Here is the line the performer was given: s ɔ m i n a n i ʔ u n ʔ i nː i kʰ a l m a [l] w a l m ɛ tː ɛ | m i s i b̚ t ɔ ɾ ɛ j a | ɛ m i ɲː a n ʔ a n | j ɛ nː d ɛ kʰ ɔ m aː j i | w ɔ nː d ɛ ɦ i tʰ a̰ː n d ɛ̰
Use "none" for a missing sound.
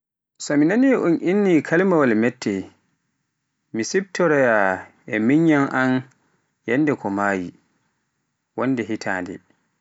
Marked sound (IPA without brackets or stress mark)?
none